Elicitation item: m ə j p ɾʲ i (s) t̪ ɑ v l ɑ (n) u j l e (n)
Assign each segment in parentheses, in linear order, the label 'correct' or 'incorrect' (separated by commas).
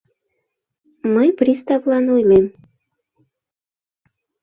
correct, correct, incorrect